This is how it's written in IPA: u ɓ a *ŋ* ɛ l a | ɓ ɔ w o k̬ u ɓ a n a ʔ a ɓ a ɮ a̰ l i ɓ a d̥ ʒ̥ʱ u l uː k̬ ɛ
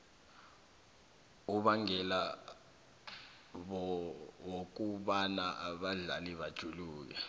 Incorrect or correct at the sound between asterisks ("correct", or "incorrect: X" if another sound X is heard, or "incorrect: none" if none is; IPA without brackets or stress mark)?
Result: correct